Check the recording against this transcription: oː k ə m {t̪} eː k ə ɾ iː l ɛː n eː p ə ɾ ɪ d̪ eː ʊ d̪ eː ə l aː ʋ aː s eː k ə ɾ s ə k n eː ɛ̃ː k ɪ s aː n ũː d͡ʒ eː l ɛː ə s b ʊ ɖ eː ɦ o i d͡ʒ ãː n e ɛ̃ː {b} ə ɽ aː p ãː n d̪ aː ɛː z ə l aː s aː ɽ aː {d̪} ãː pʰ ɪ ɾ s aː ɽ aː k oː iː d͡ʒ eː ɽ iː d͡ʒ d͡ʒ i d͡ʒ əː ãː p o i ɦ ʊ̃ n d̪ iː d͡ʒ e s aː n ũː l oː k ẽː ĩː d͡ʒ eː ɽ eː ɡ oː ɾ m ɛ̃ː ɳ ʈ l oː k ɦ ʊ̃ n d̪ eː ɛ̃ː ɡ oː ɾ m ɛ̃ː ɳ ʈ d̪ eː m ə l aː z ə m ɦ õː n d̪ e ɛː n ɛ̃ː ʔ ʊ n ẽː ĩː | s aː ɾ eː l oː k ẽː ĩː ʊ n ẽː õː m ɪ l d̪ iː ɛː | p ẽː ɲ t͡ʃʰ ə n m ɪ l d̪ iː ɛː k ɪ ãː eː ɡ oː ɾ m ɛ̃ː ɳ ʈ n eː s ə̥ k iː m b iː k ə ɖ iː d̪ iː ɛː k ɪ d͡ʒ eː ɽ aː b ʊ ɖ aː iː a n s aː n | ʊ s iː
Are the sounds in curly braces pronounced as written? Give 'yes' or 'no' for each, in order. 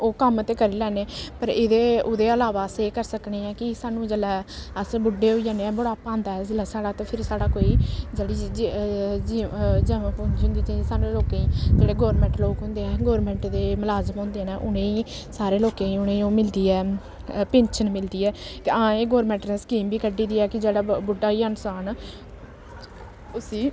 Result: yes, yes, no

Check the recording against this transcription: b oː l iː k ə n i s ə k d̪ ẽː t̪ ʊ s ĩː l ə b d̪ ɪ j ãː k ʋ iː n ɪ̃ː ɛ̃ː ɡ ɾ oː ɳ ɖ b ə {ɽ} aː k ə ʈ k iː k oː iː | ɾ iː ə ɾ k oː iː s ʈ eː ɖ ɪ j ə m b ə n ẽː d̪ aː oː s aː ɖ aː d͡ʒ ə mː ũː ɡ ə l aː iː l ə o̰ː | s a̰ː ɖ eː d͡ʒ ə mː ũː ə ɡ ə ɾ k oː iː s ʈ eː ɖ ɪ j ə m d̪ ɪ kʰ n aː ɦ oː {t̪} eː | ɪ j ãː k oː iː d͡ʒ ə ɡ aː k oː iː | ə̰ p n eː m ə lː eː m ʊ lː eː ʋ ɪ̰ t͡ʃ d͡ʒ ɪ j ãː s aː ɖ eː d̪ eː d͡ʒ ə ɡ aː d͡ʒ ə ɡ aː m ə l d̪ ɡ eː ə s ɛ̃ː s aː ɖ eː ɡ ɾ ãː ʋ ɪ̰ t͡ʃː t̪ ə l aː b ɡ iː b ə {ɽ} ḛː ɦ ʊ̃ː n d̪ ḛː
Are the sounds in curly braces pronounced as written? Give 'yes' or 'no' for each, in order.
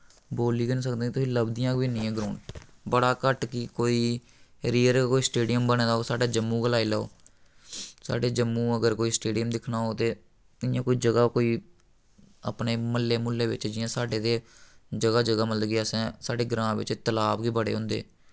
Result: yes, yes, yes

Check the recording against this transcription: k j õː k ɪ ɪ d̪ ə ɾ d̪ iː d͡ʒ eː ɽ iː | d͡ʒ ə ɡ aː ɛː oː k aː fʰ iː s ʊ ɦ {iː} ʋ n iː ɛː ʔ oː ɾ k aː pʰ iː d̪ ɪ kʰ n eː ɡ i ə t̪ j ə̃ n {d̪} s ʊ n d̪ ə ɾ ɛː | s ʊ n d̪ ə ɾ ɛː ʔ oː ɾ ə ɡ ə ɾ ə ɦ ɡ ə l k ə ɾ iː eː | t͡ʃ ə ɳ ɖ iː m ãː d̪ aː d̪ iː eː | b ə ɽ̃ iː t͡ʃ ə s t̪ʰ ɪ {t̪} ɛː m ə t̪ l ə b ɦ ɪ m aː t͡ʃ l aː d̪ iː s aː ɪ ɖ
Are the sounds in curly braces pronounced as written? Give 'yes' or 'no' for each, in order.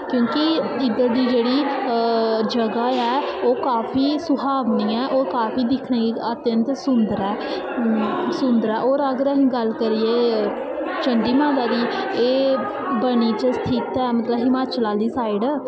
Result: no, no, yes

